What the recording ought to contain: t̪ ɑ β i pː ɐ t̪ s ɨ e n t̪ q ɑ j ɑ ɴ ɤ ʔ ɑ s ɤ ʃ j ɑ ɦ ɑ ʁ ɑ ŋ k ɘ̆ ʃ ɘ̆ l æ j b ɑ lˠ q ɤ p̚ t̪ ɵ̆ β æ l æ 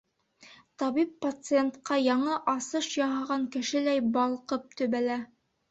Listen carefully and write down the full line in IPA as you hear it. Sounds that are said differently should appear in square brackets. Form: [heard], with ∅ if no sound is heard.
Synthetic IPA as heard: t̪ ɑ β i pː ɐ t̪ s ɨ e n t̪ q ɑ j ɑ ɴ ɤ ʔ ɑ s ɤ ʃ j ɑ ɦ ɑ ʁ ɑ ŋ k ɘ̆ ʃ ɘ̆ l æ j b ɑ lˠ q ɤ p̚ t̪ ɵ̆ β æ l æ